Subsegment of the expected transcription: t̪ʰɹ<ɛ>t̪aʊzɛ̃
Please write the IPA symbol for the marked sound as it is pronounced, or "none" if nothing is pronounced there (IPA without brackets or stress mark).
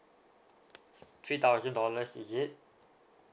i